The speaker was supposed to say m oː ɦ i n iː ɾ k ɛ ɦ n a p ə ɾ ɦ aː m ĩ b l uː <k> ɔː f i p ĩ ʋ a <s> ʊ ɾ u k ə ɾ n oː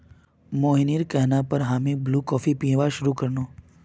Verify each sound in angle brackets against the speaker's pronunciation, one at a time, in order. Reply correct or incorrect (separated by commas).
correct, incorrect